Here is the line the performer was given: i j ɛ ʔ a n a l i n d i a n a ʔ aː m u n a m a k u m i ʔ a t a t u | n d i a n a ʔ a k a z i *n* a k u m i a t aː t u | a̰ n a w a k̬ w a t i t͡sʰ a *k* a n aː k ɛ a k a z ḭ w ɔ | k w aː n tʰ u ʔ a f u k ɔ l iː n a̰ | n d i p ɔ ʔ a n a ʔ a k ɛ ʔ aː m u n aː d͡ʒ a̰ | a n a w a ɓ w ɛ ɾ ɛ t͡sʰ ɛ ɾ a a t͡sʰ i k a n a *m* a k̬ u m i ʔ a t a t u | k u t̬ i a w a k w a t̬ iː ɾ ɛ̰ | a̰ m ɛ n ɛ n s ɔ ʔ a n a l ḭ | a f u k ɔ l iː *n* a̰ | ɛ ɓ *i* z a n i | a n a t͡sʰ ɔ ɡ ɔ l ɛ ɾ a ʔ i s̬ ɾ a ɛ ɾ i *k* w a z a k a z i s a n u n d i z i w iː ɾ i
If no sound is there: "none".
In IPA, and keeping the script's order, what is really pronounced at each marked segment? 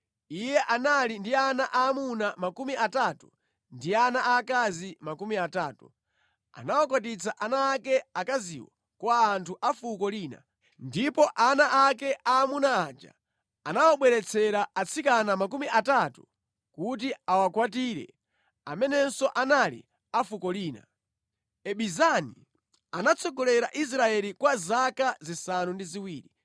m, ʔ, m, n, i, k

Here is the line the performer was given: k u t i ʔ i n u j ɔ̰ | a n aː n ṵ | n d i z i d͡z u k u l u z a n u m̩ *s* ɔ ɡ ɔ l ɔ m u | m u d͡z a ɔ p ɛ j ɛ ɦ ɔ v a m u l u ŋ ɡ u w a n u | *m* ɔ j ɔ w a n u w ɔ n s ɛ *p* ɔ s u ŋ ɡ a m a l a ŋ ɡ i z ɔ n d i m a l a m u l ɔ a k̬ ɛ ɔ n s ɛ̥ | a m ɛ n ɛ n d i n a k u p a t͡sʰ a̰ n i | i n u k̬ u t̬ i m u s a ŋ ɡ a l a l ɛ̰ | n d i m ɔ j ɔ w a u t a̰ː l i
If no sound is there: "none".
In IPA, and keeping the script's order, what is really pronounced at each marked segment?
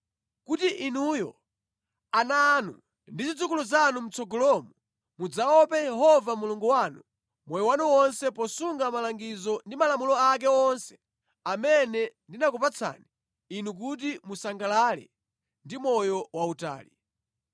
t͡s, m, p

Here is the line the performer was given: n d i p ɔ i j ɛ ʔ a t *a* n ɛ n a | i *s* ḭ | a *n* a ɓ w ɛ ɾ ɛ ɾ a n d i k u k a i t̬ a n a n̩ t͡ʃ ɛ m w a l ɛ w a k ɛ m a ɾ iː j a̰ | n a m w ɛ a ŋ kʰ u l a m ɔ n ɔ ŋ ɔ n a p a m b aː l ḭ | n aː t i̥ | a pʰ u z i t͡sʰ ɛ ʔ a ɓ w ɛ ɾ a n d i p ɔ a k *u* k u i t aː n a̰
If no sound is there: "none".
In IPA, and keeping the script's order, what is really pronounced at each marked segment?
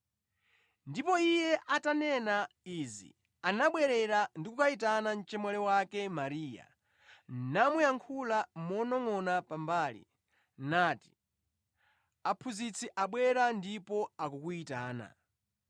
a, z, n, u

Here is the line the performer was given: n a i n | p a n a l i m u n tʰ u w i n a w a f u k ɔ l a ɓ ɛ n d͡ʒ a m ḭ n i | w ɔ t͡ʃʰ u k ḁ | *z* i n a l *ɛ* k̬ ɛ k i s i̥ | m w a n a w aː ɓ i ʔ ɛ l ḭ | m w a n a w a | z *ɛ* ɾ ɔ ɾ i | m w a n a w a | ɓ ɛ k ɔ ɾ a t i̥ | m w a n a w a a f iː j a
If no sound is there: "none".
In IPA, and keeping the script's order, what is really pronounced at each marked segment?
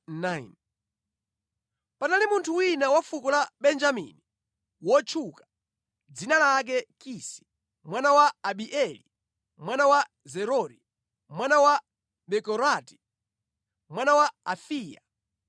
d͡z, a, ɛ

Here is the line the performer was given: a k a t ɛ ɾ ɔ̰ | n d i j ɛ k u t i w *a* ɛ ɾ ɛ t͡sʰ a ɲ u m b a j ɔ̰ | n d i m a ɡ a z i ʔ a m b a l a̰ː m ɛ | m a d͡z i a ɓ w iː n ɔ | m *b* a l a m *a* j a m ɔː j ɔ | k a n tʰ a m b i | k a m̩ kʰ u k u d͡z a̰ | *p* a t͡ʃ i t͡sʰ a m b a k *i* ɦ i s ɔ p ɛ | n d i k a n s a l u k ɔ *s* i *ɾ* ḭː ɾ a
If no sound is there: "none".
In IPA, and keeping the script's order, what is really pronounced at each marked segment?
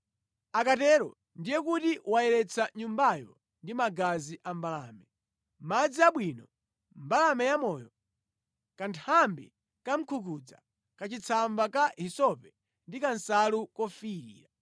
a, b, ɛ, k, a, f, ɾ

